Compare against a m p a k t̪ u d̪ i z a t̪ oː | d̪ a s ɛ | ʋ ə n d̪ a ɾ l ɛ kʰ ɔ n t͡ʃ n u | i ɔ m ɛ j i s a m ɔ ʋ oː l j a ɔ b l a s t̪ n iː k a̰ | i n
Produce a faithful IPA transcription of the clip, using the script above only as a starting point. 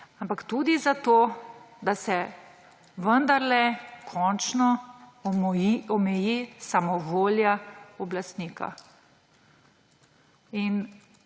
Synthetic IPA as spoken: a m p a k t̪ u d̪ i z a t̪ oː | d̪ a s ɛ | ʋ ə n d̪ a ɾ l ɛ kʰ ɔ n t͡ʃ n ɔ | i ɔ m ɛ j i s a m ɔ ʋ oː l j a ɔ b l a s t̪ n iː k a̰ | i n